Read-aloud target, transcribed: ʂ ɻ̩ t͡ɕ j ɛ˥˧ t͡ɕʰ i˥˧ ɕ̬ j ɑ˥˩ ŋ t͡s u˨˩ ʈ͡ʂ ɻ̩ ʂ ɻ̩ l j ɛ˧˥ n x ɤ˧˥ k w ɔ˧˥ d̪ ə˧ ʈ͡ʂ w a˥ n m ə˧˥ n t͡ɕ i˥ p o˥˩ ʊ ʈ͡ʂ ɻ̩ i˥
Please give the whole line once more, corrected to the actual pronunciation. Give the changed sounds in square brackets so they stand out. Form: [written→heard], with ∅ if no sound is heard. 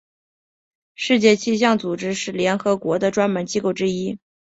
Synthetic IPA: ʂ ɻ̩ t͡ɕ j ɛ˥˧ t͡ɕʰ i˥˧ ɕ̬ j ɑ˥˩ ŋ t͡s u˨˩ ʈ͡ʂ ɻ̩ ʂ ɻ̩ l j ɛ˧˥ n x ɤ˧˥ k w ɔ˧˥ d̪ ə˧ ʈ͡ʂ w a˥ n m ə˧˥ n t͡ɕ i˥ [p→k] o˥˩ ʊ ʈ͡ʂ ɻ̩ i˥